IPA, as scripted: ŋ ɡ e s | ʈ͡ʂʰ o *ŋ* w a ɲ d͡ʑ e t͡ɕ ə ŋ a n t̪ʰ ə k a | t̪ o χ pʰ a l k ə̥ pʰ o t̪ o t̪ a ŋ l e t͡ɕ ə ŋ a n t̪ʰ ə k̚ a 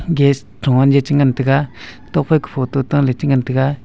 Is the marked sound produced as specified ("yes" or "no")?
yes